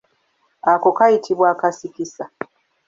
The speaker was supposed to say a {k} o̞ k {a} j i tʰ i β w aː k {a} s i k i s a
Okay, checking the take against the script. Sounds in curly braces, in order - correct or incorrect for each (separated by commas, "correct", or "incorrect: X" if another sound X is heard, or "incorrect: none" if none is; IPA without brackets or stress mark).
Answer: correct, correct, correct